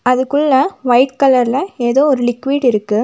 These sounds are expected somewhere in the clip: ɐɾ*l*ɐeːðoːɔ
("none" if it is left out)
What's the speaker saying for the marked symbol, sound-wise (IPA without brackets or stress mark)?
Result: l